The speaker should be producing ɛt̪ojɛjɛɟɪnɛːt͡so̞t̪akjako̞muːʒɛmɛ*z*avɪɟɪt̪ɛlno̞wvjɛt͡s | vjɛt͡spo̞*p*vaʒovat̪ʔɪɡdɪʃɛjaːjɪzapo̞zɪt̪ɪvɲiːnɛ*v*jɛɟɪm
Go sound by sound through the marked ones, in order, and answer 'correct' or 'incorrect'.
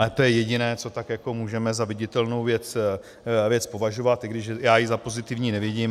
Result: correct, incorrect: none, correct

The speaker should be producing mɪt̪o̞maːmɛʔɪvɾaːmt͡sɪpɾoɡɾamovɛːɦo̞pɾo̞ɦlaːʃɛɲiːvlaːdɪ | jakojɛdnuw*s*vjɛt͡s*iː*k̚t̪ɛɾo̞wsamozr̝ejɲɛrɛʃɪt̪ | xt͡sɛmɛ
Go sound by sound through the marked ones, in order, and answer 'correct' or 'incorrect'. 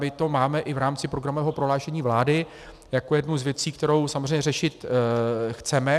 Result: incorrect: z, correct

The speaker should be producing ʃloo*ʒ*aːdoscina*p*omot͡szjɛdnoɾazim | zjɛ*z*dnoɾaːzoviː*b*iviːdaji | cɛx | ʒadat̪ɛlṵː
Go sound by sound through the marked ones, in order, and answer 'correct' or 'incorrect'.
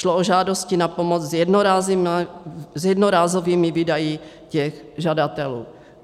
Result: correct, correct, incorrect: none, incorrect: m

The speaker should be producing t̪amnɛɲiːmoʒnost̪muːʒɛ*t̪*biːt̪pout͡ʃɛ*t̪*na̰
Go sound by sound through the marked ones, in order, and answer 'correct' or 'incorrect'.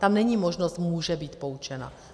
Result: incorrect: none, incorrect: none

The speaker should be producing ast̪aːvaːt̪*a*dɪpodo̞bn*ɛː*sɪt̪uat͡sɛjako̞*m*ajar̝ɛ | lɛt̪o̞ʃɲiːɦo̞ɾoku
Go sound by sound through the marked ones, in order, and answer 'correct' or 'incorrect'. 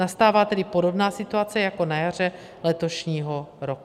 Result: incorrect: ɛ, incorrect: aː, incorrect: n

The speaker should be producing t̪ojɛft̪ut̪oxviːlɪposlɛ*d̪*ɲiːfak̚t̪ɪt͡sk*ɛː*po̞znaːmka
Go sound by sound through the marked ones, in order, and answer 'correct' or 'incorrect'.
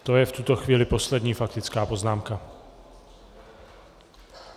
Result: correct, incorrect: aː

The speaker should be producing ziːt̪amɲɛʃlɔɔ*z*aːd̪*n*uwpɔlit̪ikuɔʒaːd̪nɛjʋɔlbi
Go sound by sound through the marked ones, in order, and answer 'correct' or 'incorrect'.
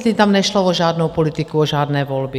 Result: incorrect: ʒ, correct

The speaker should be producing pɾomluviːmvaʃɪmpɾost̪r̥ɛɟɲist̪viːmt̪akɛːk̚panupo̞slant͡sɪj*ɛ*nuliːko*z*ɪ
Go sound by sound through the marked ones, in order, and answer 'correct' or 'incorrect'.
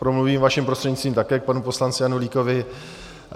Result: incorrect: a, incorrect: v

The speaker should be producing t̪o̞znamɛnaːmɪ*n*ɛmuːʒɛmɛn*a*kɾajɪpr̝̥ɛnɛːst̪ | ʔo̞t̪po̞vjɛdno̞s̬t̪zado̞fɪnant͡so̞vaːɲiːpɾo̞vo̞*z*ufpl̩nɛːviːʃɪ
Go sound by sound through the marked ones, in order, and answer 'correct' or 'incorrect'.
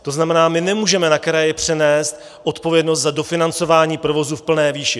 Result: correct, correct, correct

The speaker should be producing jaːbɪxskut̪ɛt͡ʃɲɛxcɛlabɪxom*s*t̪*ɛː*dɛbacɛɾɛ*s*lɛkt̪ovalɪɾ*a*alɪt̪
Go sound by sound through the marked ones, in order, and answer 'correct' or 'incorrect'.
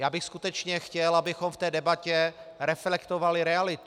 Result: incorrect: f, correct, incorrect: f, incorrect: ɛ

